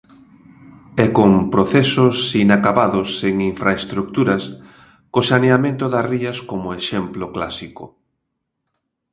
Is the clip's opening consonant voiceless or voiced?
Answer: voiceless